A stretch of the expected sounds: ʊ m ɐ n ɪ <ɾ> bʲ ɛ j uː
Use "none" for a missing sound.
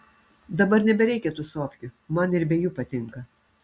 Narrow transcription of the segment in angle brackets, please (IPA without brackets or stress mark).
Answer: ɾ